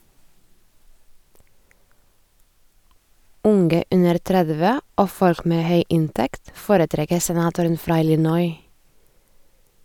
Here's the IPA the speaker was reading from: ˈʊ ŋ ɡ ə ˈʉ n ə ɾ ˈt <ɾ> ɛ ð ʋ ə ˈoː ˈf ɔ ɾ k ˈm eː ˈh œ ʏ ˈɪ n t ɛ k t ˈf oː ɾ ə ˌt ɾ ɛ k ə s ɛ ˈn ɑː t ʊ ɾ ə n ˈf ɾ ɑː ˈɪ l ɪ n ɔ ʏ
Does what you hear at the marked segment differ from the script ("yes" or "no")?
no